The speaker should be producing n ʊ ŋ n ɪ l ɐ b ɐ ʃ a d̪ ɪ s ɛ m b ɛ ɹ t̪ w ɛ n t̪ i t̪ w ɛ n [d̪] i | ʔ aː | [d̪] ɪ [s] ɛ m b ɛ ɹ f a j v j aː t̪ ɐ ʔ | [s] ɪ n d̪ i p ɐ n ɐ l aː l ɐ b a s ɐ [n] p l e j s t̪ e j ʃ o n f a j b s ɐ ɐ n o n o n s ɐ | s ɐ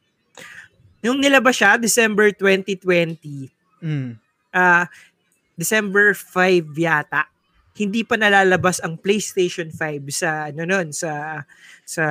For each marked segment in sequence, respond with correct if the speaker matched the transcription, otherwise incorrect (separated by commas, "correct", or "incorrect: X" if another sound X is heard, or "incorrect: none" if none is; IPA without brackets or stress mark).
incorrect: t̪, correct, correct, incorrect: h, incorrect: ŋ